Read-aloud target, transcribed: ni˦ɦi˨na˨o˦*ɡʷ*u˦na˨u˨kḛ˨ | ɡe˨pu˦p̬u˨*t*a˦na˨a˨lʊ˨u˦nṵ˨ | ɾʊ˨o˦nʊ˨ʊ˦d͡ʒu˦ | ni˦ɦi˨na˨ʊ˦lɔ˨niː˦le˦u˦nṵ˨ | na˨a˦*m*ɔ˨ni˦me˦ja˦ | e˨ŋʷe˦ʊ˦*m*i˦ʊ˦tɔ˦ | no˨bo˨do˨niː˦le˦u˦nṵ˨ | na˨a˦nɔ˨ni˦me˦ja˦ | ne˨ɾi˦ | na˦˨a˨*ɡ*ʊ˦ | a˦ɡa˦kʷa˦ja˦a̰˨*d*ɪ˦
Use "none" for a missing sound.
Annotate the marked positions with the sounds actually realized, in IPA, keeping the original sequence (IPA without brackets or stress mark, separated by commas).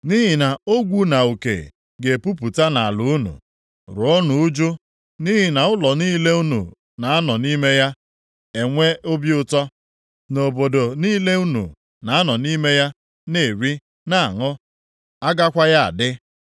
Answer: ɡʷ, t, n, b, ŋ, d